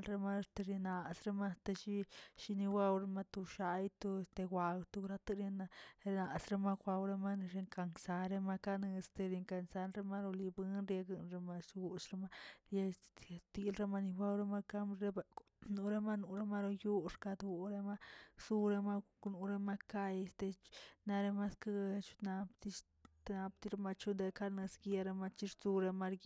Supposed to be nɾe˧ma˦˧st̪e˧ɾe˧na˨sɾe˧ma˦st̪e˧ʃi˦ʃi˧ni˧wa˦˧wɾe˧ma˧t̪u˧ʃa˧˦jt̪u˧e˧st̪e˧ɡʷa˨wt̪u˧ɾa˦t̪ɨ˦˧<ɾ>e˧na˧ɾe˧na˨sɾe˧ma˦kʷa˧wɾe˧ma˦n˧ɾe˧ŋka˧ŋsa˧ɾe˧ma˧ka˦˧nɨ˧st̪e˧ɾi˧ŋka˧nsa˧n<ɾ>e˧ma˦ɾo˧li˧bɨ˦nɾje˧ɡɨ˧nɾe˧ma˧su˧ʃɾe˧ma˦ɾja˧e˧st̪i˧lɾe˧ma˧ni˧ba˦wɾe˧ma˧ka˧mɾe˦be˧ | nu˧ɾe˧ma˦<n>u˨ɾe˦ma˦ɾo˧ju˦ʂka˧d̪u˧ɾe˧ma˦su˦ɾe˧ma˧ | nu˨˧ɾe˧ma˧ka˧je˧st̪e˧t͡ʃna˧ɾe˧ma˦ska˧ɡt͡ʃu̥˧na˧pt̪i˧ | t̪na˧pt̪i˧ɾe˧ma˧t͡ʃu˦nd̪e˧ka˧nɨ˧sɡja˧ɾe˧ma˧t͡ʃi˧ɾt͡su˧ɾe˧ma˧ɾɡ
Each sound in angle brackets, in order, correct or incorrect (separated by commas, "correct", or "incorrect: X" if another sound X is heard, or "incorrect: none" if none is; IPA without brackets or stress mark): correct, correct, correct